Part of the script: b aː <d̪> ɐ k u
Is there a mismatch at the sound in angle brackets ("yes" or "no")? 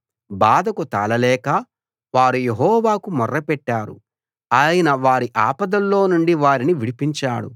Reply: no